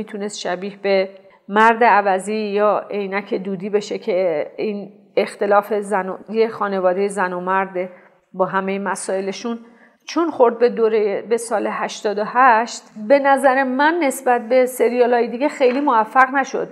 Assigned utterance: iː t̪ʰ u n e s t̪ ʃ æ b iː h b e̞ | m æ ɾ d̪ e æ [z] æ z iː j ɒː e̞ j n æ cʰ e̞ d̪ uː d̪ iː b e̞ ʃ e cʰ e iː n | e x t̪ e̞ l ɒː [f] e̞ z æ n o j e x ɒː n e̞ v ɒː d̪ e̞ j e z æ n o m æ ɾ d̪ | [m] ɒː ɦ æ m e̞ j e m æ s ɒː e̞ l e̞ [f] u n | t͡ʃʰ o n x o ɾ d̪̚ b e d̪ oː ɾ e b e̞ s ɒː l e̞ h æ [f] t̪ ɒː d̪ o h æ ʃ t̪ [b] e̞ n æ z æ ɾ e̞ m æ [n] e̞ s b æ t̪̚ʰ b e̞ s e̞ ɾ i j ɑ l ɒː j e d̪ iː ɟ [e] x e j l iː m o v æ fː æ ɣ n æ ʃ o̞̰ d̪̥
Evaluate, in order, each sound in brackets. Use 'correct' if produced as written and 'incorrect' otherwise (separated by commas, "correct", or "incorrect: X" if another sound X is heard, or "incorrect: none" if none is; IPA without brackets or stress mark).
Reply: incorrect: v, correct, incorrect: b, incorrect: ʃ, incorrect: ʃ, correct, incorrect: nː, correct